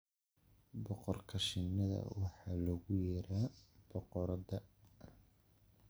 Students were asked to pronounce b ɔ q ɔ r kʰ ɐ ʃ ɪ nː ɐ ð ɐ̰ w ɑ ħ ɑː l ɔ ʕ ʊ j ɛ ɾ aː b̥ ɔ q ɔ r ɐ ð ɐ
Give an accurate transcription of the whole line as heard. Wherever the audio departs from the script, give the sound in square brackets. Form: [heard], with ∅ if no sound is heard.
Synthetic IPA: b ɔ q ɔ r kʰ ɐ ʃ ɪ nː ɐ ð ɐ̰ w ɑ ħ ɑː l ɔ [ɣ] ʊ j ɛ ɾ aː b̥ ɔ q ɔ [ɾ] ɐ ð ɐ